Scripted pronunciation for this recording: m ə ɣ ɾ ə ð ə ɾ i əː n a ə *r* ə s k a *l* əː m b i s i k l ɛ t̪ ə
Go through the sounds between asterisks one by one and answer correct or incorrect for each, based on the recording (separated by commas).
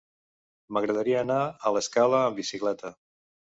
incorrect, correct